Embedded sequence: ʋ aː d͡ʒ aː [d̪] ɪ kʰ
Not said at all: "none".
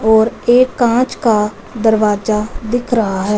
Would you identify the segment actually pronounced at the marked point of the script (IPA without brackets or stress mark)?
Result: d̪